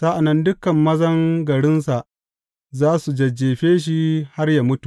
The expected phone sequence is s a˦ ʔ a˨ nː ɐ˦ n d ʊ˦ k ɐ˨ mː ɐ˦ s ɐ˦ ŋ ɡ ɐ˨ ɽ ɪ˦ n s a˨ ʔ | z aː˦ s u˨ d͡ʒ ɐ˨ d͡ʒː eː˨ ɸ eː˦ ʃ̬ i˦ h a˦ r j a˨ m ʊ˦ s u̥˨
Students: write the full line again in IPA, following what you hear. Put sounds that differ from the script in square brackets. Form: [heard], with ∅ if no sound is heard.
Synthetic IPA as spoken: s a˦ ʔ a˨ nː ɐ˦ n d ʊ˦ k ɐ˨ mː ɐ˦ [z] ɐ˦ ŋ ɡ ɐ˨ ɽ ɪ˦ n s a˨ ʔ | z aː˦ s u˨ d͡ʒ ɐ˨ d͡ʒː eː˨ ɸ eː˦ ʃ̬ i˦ h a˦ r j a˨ m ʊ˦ [t] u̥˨